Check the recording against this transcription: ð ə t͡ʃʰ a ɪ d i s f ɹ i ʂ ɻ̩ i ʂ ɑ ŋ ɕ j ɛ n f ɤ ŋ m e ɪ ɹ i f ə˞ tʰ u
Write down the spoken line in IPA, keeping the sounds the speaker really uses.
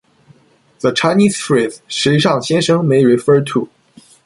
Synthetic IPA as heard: ð ə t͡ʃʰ a ɪ n i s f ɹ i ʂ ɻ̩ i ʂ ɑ ŋ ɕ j ɛ n ʂ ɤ ŋ m e ɪ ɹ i f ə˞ tʰ u